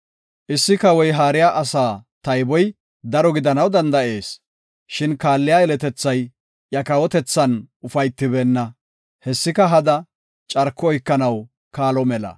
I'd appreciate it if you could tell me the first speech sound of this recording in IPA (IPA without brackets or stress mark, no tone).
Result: ʔ